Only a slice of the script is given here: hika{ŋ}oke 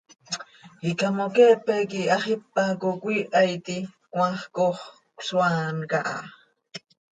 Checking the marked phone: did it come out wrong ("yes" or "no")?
yes